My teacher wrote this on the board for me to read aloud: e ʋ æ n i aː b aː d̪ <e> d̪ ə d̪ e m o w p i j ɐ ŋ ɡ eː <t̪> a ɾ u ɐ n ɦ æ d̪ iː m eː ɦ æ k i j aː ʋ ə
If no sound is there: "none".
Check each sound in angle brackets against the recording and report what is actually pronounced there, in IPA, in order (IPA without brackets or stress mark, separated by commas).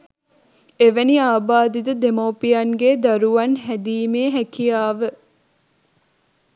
i, d̪